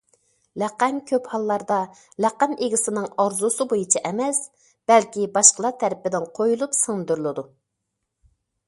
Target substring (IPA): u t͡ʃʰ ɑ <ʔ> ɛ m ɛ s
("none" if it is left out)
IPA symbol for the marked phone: ʔ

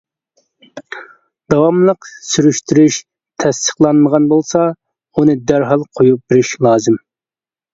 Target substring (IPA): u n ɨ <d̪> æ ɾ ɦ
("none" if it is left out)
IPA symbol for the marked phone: d̪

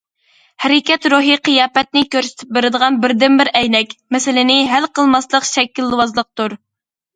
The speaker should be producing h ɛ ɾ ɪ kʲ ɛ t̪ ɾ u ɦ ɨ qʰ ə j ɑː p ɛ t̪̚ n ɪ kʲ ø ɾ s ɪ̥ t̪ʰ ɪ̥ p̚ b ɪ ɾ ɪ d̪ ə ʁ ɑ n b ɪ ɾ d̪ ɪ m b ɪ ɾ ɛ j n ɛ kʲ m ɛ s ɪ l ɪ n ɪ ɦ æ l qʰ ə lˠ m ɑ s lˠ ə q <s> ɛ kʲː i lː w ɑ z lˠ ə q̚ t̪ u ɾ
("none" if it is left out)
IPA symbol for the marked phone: ʃ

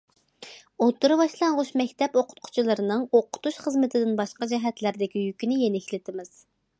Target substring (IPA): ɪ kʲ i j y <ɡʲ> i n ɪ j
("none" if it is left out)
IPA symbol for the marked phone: kʲ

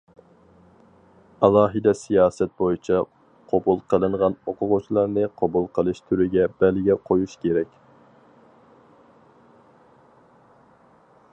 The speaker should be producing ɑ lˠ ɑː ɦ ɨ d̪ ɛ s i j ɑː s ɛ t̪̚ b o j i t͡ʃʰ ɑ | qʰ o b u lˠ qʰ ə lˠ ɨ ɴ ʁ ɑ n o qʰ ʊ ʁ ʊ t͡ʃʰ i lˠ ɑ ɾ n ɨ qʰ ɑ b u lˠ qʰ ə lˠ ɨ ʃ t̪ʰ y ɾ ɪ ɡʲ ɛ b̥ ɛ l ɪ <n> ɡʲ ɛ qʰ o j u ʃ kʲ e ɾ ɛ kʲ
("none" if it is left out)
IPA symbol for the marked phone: none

